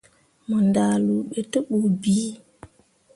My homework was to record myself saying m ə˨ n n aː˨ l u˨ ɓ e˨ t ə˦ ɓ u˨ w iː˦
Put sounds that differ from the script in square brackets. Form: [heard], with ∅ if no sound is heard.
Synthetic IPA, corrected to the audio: m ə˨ n [d] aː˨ l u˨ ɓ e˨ t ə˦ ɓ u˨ [b] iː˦